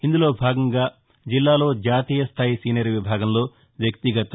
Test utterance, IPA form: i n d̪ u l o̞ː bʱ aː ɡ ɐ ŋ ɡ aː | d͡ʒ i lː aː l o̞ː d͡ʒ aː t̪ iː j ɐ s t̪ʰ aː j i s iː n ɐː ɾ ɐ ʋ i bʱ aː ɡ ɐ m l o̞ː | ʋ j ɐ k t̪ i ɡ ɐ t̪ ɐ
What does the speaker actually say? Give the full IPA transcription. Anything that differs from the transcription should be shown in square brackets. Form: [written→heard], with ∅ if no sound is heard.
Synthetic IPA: i n d̪ u l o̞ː bʱ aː ɡ ɐ ŋ ɡ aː | d͡ʒ i lː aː l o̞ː d͡ʒ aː t̪ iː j ɐ s t̪ʰ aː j i s iː n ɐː ɾ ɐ ʋ i bʱ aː ɡ ɐ m l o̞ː | ʋ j ɐ k t̪ i ɡ ɐ t̪ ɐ